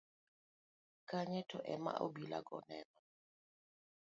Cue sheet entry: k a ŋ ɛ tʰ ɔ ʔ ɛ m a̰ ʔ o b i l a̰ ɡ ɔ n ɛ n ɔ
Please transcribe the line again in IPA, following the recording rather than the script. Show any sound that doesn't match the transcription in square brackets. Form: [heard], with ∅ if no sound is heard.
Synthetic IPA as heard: k a [ɲ] ɛ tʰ ɔ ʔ ɛ m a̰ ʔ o b i l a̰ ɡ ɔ n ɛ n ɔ